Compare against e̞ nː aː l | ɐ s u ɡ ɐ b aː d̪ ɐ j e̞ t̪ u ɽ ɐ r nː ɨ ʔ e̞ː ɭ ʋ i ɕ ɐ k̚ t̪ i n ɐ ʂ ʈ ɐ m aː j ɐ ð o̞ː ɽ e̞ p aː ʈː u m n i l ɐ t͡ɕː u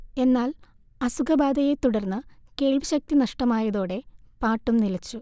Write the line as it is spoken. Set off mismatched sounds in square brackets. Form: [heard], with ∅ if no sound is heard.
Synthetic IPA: e̞ nː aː l | ɐ s u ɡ ɐ b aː d̪ ɐ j e̞ t̪ u ɽ ɐ r nː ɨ [k] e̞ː ɭ ʋ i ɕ ɐ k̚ t̪ i n ɐ ʂ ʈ ɐ m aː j ɐ ð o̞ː ɽ e̞ p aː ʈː u m n i l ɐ t͡ɕː u